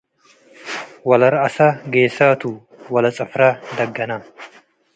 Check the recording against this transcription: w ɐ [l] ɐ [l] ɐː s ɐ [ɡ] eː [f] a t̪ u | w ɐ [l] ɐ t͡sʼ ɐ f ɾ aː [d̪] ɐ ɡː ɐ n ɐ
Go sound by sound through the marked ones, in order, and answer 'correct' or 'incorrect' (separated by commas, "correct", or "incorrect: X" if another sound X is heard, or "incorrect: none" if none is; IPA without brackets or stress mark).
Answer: correct, incorrect: ɾ, correct, incorrect: s, correct, correct